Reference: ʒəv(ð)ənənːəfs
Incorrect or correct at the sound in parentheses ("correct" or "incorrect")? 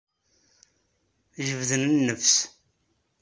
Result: correct